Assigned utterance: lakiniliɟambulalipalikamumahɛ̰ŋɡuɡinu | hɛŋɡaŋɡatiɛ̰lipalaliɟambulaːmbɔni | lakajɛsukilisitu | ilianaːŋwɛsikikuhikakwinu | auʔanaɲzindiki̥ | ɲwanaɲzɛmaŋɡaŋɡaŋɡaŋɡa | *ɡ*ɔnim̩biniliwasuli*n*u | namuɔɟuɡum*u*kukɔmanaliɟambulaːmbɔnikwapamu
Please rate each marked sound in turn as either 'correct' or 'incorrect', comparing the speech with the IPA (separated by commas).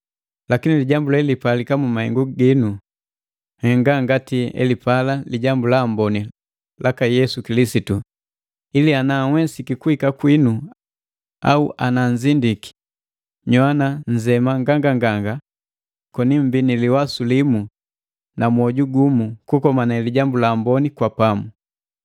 incorrect, incorrect, correct